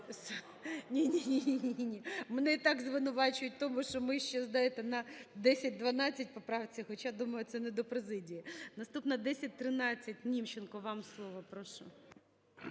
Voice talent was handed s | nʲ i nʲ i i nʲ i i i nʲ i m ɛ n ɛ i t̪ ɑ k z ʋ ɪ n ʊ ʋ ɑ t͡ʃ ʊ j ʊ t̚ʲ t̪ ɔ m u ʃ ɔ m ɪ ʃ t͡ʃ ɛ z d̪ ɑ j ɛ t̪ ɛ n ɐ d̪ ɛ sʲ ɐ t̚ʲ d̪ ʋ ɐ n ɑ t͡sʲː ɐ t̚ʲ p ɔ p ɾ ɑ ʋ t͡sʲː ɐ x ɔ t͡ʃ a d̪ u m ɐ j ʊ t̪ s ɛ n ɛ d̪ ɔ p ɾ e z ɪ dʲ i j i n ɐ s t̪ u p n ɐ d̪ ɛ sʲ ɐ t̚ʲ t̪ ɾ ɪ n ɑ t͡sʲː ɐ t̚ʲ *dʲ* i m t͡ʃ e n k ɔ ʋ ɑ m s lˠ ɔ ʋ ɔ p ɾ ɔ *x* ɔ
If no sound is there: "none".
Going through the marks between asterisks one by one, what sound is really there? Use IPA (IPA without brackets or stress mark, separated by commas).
nʲ, ʃ